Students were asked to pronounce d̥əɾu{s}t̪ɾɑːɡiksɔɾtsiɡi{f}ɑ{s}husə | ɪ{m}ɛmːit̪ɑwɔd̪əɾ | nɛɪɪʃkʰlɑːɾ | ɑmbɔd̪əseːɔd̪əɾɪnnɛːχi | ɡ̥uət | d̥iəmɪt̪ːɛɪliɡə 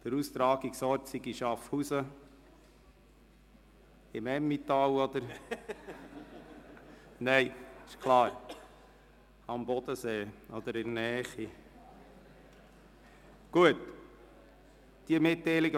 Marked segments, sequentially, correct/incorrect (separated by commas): correct, incorrect, incorrect, correct